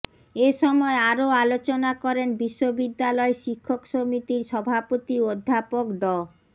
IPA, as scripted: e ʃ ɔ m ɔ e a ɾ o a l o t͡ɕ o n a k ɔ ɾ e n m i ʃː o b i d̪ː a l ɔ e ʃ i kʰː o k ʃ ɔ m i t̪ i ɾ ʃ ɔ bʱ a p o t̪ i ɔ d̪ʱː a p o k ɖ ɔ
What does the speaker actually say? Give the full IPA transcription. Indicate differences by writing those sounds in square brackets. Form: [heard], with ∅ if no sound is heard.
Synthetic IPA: e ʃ ɔ m ɔ e a ɾ o a l o t͡ɕ o n a k ɔ ɾ e n [b] i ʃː o b i d̪ː a l ɔ e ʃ i kʰː o k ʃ [o] m i t̪ i ɾ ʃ ɔ bʱ a p o t̪ i [o] d̪ʱː a p o k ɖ ɔ